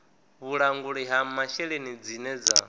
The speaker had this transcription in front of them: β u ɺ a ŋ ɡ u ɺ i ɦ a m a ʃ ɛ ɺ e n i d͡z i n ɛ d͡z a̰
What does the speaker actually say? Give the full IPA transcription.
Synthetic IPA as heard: β u ɺ a ŋ ɡ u ɺ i ɦ a m a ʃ ɛ ɺ e n i d͡z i n ɛ d͡z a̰